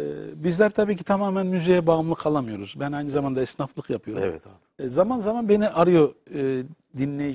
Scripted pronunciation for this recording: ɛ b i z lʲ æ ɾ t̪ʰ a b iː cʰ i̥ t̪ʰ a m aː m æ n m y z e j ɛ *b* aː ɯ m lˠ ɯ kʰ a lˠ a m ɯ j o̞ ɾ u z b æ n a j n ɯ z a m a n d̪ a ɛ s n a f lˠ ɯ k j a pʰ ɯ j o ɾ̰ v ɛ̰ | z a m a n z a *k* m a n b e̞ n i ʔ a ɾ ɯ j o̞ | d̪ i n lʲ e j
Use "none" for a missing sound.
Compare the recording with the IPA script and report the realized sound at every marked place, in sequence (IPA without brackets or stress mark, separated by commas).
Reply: b, none